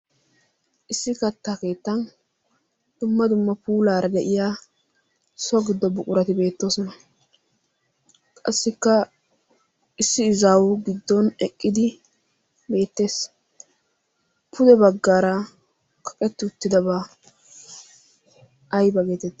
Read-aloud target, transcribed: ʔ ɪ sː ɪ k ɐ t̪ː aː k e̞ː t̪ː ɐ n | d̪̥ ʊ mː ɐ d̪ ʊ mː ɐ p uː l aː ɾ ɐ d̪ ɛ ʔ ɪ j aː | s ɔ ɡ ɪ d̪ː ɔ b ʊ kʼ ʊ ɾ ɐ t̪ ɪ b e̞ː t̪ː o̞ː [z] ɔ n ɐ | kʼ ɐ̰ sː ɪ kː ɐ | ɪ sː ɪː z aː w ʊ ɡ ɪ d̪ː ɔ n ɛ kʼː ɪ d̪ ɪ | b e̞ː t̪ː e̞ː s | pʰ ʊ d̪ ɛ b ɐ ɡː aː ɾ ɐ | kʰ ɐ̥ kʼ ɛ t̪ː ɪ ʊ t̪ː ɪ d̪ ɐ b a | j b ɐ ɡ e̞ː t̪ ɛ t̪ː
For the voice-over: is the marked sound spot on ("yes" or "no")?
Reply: no